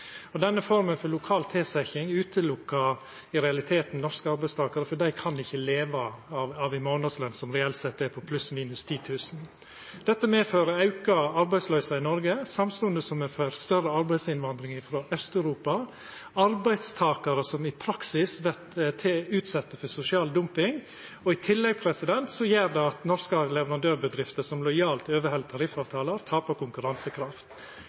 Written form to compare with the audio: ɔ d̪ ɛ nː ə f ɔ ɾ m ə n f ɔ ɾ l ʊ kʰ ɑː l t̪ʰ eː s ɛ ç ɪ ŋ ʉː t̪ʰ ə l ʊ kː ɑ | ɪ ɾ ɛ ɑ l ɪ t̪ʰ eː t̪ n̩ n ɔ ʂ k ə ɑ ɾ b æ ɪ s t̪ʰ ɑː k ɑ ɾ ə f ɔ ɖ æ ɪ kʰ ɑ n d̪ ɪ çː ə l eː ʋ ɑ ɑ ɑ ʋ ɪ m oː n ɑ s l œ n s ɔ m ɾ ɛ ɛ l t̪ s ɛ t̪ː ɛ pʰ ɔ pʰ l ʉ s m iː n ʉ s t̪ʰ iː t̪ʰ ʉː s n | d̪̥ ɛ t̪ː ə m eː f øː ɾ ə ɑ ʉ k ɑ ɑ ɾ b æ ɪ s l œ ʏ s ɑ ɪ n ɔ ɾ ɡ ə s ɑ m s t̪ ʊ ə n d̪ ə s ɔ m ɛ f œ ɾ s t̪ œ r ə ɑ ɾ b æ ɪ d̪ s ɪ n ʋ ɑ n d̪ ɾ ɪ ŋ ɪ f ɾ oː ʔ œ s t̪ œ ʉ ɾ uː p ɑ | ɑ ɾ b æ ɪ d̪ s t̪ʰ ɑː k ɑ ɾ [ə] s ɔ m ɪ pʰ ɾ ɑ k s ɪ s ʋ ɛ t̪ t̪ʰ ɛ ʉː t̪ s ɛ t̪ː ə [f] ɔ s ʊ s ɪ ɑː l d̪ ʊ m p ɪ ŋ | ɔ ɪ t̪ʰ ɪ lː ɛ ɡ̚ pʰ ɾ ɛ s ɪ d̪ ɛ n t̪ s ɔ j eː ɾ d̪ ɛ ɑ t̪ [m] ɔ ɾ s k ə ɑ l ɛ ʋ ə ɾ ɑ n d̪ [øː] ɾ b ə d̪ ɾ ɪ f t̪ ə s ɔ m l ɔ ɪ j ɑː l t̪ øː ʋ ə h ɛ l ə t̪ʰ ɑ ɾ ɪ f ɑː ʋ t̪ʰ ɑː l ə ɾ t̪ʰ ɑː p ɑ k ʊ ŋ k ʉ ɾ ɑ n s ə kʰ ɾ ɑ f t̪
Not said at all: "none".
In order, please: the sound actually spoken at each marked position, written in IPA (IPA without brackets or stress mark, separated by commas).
ə, f, n, øː